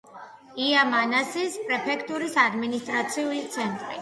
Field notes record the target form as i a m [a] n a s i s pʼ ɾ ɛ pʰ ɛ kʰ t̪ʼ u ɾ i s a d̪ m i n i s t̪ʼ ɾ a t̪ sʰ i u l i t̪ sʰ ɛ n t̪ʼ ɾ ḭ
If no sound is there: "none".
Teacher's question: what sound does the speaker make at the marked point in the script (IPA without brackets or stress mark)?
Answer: a